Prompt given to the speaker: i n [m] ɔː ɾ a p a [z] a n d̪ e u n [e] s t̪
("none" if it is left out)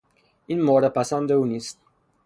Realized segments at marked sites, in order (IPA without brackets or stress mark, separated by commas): m, s, i